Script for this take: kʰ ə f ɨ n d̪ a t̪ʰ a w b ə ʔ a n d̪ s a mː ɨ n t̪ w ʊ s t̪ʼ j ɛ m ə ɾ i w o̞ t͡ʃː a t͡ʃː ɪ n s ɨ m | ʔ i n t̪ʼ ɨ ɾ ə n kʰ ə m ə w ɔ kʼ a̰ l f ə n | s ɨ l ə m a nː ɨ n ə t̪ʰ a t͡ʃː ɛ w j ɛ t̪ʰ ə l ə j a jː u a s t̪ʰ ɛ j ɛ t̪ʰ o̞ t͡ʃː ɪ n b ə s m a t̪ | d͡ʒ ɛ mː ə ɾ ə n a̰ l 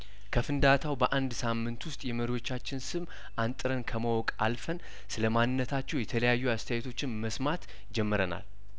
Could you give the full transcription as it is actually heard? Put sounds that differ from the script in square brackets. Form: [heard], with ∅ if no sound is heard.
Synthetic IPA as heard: kʰ ə f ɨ n d̪ a t̪ʰ a w b ə ʔ a n d̪ s a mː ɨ n t̪ w ʊ s t̪ʼ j ɛ m ə ɾ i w o̞ t͡ʃː a t͡ʃː ɪ n s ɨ m | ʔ [a] n t̪ʼ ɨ ɾ ə n kʰ ə m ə w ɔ kʼ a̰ l f ə n | s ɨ l ə m a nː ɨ [nː] ə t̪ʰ a t͡ʃː ɛ w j ɛ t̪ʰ ə l ə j a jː u a s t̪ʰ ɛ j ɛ t̪ʰ o̞ t͡ʃː ɪ n [m] ə s m a t̪ | d͡ʒ ɛ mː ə ɾ ə n a̰ l